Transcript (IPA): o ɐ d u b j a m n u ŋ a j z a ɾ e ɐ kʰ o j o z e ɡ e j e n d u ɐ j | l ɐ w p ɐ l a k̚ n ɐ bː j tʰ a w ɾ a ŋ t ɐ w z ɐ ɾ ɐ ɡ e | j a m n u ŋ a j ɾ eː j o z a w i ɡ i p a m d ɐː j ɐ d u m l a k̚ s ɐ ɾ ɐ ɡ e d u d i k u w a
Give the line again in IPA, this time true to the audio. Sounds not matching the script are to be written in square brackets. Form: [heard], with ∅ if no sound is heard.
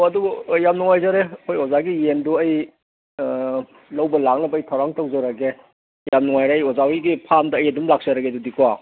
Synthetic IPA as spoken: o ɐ d u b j a m n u ŋ a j z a ɾ e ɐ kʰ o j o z [a] ɡ [i] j e n d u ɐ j | l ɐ w [b] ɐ l a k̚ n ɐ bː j tʰ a w ɾ a ŋ t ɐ w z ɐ ɾ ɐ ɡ e | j a m n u ŋ a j ɾ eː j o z a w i ɡ i [pʰ] a m d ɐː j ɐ d u m l a k̚ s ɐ ɾ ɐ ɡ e d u d i k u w a